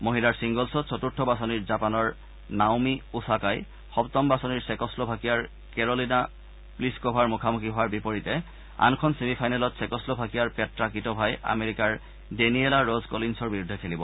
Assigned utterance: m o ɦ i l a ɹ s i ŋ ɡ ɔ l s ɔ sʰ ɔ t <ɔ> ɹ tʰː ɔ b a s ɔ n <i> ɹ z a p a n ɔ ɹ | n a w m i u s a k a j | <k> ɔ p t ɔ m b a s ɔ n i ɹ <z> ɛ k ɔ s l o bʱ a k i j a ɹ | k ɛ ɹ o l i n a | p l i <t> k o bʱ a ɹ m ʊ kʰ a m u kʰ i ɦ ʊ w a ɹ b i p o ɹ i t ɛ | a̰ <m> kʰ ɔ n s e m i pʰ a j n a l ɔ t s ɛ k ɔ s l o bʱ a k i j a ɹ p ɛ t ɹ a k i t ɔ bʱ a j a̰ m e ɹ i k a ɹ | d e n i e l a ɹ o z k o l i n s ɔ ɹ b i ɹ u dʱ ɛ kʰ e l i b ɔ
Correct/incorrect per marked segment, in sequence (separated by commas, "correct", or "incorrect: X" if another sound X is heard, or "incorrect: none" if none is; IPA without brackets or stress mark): incorrect: u, correct, incorrect: x, incorrect: s, incorrect: s, incorrect: n